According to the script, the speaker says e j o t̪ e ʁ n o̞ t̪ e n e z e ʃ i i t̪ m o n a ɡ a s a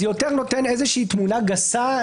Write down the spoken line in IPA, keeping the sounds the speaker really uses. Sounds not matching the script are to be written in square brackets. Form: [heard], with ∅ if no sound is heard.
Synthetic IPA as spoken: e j o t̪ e ʁ n o̞ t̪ e n e z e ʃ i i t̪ m [u] n a ɡ a s a